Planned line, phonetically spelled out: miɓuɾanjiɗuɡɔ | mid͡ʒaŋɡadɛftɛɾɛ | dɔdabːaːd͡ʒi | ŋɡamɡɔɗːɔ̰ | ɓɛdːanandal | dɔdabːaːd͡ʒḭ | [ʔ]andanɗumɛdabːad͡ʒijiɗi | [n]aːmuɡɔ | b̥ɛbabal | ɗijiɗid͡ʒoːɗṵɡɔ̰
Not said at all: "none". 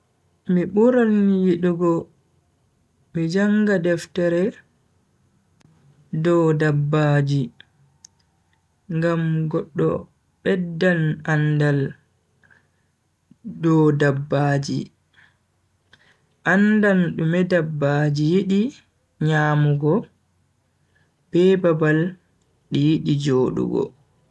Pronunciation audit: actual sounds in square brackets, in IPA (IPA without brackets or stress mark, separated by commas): ʔ, ɲ